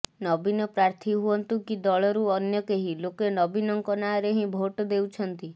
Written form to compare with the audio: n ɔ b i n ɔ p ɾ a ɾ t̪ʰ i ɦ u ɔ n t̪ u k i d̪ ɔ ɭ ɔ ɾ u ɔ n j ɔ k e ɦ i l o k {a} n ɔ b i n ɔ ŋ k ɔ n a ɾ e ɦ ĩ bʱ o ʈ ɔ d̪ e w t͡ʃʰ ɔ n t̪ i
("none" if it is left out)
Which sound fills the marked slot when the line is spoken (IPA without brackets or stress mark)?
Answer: e